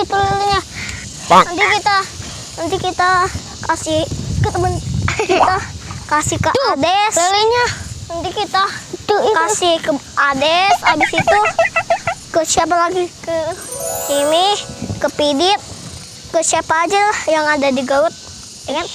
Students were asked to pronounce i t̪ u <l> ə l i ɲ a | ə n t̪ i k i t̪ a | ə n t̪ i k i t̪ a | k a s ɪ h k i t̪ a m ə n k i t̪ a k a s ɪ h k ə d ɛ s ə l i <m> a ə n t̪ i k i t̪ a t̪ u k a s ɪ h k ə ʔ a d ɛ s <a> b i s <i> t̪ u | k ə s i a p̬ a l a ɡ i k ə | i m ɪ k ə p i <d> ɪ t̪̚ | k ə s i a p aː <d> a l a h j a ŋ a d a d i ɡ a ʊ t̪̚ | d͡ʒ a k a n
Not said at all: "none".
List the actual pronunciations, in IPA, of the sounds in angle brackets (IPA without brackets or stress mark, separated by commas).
l, ɲ, a, i, d, d͡ʒ